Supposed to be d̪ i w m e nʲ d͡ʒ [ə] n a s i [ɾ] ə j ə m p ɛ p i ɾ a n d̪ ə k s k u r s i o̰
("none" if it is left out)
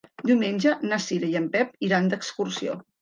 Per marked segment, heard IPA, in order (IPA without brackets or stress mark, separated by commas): ə, ɾ